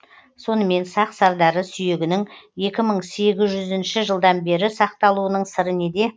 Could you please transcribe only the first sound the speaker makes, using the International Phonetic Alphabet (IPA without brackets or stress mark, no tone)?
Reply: s